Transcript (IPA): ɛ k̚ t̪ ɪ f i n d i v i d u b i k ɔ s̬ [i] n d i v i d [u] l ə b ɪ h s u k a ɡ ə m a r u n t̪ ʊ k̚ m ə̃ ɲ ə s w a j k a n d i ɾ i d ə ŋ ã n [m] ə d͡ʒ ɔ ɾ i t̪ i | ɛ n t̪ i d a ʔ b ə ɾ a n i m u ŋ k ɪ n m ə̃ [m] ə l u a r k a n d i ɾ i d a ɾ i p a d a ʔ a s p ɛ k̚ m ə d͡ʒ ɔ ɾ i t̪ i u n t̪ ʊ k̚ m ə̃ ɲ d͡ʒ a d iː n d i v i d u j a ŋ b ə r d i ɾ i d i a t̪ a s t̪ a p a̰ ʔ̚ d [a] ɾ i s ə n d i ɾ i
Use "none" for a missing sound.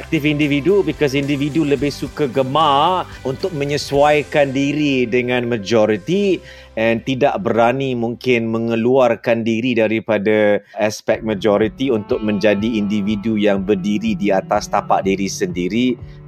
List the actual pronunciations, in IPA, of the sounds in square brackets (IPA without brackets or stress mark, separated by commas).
i, u, m, ŋ, i